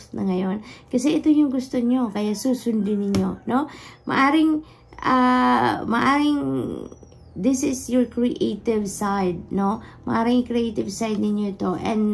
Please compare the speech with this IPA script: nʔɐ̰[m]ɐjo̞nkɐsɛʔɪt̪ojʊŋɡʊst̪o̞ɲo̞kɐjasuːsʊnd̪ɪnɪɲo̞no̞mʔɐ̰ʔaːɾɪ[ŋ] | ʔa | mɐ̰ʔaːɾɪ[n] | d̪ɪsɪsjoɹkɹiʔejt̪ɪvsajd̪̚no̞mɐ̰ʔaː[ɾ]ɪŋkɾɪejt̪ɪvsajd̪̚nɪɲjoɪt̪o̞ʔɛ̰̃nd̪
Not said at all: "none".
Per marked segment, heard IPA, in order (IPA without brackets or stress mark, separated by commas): ŋ, ŋ, ŋ, ɾ